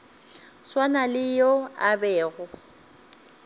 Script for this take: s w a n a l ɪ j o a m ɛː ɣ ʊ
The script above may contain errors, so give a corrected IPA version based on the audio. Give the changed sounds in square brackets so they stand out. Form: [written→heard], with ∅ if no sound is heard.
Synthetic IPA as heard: s w a n a l ɪ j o a [m→b] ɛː ɣ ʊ